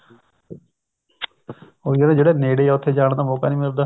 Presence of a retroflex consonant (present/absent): present